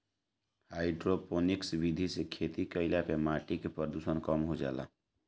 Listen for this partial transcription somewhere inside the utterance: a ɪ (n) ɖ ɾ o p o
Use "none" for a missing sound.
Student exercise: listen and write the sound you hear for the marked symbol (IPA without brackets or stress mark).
none